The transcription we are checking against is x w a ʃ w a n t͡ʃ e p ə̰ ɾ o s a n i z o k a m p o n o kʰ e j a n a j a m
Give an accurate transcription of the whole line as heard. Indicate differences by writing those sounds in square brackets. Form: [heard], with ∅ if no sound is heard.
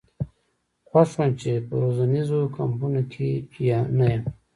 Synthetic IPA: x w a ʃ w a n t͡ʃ e p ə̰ ɾ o [z] a n i z o k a m p [u] n o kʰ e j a n a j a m